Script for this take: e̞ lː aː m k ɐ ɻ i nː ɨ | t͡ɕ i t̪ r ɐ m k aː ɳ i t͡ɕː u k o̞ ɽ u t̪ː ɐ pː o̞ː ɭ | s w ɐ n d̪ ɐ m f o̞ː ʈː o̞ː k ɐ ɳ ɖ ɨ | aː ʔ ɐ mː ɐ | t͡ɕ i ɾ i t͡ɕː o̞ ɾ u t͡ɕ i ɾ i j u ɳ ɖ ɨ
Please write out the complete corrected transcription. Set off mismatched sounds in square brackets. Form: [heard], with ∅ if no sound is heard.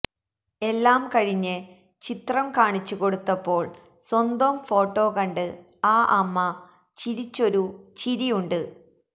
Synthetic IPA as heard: e̞ lː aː m k ɐ ɻ i [ɲː] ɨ | t͡ɕ i t̪ r ɐ m k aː ɳ i t͡ɕː u k o̞ ɽ u t̪ː ɐ pː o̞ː ɭ | s w ɐ n d̪ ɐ m f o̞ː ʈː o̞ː k ɐ ɳ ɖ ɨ | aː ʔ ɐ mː ɐ | t͡ɕ i ɾ i t͡ɕː o̞ ɾ u t͡ɕ i ɾ i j u ɳ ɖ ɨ